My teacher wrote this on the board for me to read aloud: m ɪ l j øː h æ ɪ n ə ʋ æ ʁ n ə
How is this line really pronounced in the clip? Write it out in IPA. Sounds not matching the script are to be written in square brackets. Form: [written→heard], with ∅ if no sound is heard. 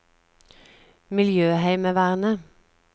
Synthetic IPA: m ɪ l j øː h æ ɪ [n→m] ə ʋ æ ʁ n ə